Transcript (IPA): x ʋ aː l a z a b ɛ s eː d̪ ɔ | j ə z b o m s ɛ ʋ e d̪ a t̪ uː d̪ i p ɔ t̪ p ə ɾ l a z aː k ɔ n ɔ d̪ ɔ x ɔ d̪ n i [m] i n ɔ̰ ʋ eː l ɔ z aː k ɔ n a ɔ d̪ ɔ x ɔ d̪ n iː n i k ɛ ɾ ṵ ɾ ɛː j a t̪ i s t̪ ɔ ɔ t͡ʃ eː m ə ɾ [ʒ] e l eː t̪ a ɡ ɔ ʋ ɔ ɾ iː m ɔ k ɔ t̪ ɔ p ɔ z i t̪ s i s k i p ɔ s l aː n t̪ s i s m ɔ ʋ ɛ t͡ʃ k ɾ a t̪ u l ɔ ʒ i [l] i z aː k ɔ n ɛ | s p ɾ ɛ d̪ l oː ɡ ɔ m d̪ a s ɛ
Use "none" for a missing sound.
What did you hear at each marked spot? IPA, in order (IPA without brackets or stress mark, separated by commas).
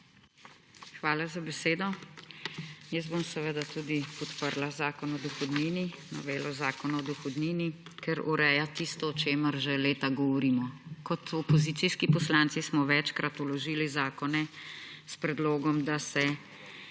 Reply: n, ʒ, l